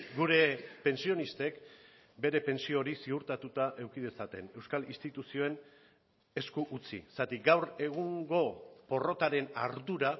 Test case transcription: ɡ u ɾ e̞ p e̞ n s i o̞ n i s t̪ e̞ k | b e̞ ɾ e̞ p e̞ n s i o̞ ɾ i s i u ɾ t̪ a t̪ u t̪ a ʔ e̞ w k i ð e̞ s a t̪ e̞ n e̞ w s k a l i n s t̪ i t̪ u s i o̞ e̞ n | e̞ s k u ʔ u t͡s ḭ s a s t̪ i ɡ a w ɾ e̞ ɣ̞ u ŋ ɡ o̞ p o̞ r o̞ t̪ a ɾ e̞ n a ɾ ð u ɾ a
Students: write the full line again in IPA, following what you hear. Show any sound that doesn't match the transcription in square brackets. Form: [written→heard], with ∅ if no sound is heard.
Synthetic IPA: ɡ u ɾ e̞ p e̞ n s i o̞ n i s t̪ e̞ k | b e̞ ɾ e̞ p e̞ n s i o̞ ɾ i s i u ɾ t̪ a t̪ u t̪ a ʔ e̞ w k i ð e̞ s a t̪ e̞ n e̞ w s k a l i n s t̪ i t̪ u s i o̞ e̞ n | e̞ s k u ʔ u t͡s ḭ s a [s→∅] t̪ i ɡ a w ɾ e̞ ɣ̞ u ŋ ɡ o̞ p o̞ r o̞ t̪ a ɾ e̞ n a ɾ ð u ɾ a

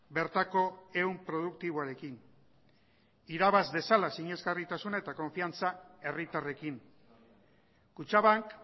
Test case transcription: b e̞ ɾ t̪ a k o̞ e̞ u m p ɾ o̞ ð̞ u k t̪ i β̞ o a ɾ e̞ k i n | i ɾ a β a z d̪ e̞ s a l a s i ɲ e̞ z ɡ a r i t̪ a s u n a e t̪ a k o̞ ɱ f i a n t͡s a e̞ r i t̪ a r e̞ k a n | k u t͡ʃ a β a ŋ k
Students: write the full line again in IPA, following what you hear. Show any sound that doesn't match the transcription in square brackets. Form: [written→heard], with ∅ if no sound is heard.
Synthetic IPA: b e̞ ɾ t̪ a k o̞ e̞ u m p ɾ o̞ ð̞ u k t̪ i β̞ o a ɾ e̞ k i n | i ɾ a β a z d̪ e̞ s a l a s i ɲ e̞ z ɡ a r i t̪ a s u n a e t̪ a k o̞ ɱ f i a n t͡s a e̞ r i t̪ a r e̞ k [a→i] n | k u t͡ʃ a β a ŋ k

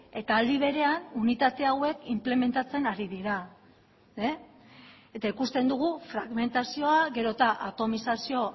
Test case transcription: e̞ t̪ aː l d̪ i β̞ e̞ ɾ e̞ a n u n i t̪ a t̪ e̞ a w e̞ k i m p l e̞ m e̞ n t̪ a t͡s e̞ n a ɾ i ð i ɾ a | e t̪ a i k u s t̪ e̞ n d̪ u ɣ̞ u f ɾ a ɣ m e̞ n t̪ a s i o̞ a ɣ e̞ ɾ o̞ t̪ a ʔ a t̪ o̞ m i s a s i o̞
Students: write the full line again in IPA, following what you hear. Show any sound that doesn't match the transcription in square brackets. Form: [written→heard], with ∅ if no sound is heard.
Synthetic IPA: e̞ t̪ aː l d̪ i β̞ e̞ ɾ e̞ a n u n i t̪ a t̪ e̞ a w e̞ k i m p l e̞ m e̞ n t̪ a t͡s e̞ n a ɾ i ð i ɾ a | e t̪ a i k u s t̪ e̞ n d̪ u ɣ̞ u f ɾ a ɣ m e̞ n t̪ a s i o̞ a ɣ e̞ ɾ o̞ t̪ a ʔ a t̪ o̞ m i s a s i o̞

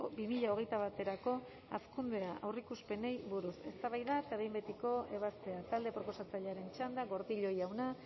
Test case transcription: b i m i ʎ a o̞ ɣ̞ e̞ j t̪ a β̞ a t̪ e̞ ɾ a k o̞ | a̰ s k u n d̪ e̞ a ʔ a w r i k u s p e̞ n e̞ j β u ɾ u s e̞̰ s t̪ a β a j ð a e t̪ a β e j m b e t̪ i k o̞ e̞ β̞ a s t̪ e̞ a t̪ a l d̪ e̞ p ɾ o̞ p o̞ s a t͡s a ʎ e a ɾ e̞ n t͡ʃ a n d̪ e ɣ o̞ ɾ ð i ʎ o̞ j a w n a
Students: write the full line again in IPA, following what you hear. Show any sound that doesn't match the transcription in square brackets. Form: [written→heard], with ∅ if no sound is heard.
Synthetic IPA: b i m i ʎ a o̞ ɣ̞ e̞ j t̪ a β̞ a t̪ e̞ ɾ a k o̞ | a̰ s k u n d̪ e̞ a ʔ a w r i k u s p e̞ n e̞ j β u ɾ u s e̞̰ s t̪ a β a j ð a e t̪ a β e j m b e t̪ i k o̞ e̞ β̞ a s t̪ e̞ a t̪ a l d̪ e̞ p ɾ o̞ p o̞ s a t͡s a ʎ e a ɾ e̞ n t͡ʃ a n d̪ [e→a] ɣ o̞ ɾ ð i ʎ o̞ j a w n a

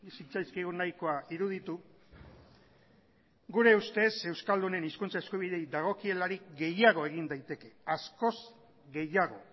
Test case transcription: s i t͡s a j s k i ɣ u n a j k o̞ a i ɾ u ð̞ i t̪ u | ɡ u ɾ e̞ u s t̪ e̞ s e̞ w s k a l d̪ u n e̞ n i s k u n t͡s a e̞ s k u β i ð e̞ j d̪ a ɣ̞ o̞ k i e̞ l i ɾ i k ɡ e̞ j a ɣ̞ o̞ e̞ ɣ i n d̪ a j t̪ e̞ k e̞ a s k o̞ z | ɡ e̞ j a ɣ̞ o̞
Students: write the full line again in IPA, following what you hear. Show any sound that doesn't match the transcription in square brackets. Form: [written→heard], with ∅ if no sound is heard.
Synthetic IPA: s i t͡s a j s k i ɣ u n a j k o̞ a i ɾ u ð̞ i t̪ u | ɡ u ɾ e̞ u s t̪ e̞ s e̞ w s k a l d̪ u n e̞ n i s k u n t͡s a e̞ s k u β i ð e̞ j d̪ a ɣ̞ o̞ k i e̞ l [i→a] ɾ i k ɡ e̞ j a ɣ̞ o̞ e̞ ɣ i n d̪ a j t̪ e̞ k e̞ a s k o̞ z | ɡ e̞ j a ɣ̞ o̞

